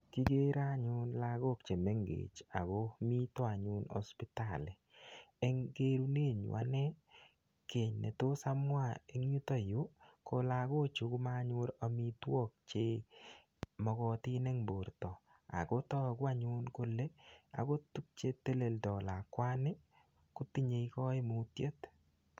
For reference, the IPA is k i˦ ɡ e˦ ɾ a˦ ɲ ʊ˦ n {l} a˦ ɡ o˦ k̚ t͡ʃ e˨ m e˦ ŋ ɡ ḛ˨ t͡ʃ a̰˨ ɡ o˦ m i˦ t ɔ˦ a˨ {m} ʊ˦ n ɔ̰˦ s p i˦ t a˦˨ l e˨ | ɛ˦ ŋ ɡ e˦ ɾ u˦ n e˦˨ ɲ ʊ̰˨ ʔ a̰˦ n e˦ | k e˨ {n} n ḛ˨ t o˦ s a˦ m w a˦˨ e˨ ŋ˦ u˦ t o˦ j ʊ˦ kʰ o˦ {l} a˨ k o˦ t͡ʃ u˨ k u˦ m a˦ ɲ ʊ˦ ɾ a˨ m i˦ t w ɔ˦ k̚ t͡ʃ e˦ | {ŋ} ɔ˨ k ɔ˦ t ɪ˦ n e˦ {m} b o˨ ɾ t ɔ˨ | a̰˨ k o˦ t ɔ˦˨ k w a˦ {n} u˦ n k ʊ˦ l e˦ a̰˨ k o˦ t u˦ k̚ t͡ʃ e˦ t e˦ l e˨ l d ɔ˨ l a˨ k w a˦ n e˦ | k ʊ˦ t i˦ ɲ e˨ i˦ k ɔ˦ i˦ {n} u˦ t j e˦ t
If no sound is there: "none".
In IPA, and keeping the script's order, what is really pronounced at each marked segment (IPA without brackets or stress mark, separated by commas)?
l, ɲ, ɲ, l, m, ŋ, ɲ, m